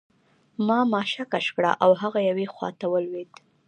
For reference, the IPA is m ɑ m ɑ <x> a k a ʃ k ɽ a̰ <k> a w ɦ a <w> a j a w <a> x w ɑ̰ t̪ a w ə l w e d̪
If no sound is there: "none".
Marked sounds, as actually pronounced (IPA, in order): ʃ, ʔ, ɣ, e

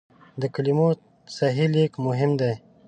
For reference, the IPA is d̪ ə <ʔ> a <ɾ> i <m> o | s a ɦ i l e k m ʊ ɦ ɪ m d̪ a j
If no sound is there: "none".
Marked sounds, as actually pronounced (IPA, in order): k, l, m

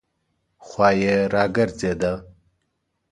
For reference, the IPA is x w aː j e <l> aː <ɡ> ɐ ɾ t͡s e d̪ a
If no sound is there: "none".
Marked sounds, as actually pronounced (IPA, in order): ɾ, ɡ

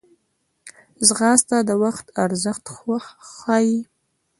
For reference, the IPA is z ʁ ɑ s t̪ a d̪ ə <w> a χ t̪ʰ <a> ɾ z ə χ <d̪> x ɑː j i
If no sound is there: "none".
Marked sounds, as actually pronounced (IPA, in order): w, a, t̪

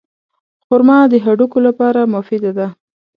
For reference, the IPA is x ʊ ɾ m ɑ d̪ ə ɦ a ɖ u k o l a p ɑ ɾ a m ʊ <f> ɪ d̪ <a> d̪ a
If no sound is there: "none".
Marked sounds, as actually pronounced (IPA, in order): f, a

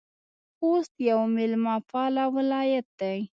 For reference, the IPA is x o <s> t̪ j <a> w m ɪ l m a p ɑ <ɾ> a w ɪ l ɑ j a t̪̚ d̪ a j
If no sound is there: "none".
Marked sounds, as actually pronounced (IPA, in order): s, a, l

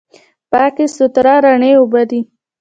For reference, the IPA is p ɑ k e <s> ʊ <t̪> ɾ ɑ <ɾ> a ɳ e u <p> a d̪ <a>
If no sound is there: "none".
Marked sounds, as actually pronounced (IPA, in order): s, t̪, ɾ, b, i

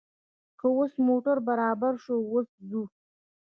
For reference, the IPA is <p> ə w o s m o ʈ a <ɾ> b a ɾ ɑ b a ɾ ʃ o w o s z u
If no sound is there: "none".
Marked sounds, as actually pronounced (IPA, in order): k, ɾ

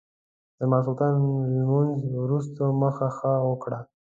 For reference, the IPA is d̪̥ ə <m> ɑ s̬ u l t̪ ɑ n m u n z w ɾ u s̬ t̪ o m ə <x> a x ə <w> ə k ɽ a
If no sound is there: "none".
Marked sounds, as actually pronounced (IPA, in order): m, x, w

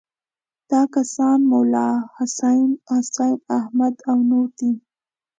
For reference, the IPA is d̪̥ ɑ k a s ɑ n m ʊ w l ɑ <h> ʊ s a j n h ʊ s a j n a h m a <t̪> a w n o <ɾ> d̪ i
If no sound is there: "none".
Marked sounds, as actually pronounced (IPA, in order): h, d̪, ɾ

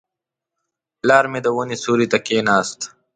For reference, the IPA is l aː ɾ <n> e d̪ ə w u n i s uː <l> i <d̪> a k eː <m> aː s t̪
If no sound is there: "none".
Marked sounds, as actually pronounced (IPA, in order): m, ɾ, t̪, n

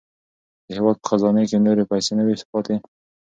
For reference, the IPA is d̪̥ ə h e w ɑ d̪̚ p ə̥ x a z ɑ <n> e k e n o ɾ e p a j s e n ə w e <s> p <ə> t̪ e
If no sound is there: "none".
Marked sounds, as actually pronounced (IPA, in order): n, s, ɑ

